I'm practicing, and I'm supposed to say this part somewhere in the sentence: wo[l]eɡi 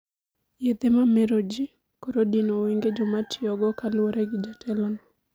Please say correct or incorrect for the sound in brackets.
incorrect